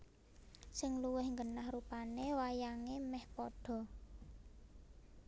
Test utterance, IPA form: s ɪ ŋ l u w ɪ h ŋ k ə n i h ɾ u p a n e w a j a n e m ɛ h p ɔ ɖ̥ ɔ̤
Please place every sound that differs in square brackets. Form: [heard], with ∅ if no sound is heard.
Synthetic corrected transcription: s ɪ ŋ l u w ɪ h ŋ [ɡ] ə n [a] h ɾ u p a n e w a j a [ŋ] e m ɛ h p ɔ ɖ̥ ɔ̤